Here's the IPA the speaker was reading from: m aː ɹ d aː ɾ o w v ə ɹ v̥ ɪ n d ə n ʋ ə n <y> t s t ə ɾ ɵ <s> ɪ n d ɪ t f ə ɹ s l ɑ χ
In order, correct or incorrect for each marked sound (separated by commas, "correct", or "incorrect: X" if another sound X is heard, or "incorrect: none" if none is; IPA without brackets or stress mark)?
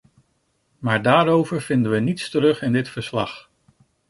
incorrect: i, incorrect: χ